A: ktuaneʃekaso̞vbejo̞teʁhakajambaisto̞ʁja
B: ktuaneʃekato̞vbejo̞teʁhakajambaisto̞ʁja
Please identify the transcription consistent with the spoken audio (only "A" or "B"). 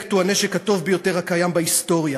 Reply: B